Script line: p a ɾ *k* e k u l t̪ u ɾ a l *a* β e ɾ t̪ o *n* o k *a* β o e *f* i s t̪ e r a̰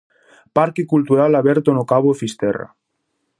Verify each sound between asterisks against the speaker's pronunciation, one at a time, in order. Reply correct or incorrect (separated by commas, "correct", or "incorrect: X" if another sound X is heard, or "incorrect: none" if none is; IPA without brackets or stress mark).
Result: correct, correct, correct, correct, correct